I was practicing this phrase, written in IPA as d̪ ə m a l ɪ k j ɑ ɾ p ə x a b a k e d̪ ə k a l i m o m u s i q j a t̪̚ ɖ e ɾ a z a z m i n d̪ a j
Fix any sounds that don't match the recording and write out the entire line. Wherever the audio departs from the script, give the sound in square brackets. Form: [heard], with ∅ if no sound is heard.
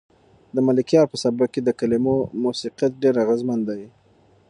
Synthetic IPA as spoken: d̪ ə m a l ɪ k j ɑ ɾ p ə [s] a b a k e d̪ ə k a l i m o m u s i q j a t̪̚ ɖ e ɾ a [ɣ] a z m [a] n d̪ a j